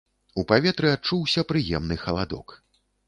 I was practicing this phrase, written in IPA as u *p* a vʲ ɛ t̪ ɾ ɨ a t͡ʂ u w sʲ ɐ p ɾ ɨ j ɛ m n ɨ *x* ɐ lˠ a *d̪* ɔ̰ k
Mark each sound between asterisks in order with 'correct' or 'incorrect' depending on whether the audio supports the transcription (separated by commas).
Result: correct, correct, correct